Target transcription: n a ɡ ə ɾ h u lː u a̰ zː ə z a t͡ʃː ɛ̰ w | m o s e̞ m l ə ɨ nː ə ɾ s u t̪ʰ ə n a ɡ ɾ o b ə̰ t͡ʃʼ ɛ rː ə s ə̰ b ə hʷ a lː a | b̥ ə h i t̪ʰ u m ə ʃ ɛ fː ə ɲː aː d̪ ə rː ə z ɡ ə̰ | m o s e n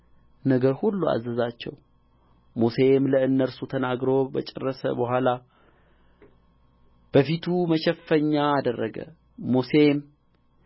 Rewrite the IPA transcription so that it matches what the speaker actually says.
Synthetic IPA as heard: n ə ɡ ə ɾ h u lː u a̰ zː ə z a t͡ʃː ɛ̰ w | m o s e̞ m l ə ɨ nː ə ɾ s u t̪ʰ ə n a ɡ ɾ o b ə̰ t͡ʃʼ ɛ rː ə s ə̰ b ə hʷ a l a | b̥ ə f i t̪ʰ u m ə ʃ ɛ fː ə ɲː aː d̪ ə rː ə ɡ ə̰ | m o s e m